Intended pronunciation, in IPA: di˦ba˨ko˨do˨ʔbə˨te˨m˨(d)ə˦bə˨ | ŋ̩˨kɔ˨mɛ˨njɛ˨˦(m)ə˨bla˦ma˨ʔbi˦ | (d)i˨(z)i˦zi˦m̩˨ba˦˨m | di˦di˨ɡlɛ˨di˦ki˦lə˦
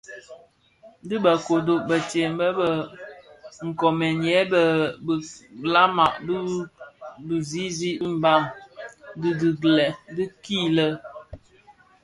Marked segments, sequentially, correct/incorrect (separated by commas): incorrect, incorrect, incorrect, correct